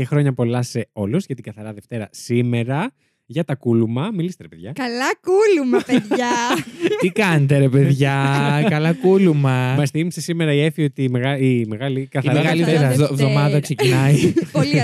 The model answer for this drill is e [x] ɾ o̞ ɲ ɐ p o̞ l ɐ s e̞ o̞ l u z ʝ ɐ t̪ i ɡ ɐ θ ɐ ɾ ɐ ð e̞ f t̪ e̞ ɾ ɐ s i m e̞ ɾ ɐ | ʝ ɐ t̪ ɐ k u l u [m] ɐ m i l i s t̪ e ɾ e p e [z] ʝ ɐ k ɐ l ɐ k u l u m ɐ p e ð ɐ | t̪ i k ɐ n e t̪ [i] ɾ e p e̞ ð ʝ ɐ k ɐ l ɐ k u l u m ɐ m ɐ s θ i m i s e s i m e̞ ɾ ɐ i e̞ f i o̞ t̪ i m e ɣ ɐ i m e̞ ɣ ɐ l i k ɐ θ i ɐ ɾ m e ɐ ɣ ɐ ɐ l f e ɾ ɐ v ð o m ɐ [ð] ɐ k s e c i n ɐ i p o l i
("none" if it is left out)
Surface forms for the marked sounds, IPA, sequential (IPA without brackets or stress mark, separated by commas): x, m, ð, e, ð